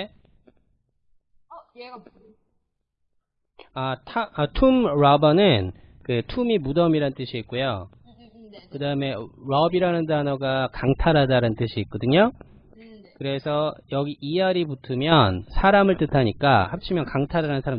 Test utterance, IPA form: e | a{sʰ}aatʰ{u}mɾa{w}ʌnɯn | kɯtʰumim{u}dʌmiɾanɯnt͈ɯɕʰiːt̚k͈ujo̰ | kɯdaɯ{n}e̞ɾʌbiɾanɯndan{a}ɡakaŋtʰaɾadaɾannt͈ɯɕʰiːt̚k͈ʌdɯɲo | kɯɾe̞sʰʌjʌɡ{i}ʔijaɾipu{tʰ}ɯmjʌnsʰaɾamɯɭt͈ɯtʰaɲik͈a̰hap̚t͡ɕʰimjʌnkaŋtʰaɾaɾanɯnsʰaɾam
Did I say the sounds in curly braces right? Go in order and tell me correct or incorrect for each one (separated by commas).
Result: incorrect, correct, incorrect, correct, incorrect, incorrect, correct, correct